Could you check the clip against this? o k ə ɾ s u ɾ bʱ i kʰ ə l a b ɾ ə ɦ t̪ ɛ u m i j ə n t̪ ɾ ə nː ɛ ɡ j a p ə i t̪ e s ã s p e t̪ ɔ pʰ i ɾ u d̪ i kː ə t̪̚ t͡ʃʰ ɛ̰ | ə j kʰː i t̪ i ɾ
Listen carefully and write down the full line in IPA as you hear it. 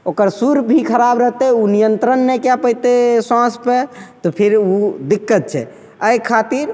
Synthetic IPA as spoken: o k ə ɾ s u ɾ bʱ i kʰ ə ɾ a b ɾ ə ɦ t̪ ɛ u n i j ə n t̪ ɾ ə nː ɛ k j a p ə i t̪ e s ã s p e t̪ ɔ pʰ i ɾ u d̪ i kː ə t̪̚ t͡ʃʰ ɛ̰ | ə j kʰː a t̪ i ɾ